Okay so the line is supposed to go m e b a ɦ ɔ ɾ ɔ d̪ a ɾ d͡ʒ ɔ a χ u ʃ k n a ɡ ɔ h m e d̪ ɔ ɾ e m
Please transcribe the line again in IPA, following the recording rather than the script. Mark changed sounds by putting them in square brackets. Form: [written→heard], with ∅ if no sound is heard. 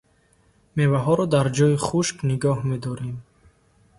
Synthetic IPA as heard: m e [b→v] a ɦ ɔ ɾ ɔ d̪ a ɾ d͡ʒ ɔ [a→i] χ u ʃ k n [a→i] ɡ ɔ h m e d̪ ɔ ɾ e m